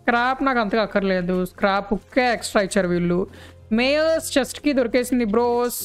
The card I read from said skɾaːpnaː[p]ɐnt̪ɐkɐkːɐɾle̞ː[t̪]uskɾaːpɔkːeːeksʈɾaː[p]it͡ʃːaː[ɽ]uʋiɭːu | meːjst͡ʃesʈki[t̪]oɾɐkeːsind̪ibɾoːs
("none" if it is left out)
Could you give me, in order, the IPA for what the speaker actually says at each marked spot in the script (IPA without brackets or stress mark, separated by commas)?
k, d̪, none, ɾ, d̪